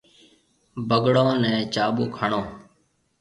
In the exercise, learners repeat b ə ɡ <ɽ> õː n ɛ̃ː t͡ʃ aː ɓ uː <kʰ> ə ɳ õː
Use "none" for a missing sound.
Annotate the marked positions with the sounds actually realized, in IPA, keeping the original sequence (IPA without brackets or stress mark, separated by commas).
ɽ, kʰ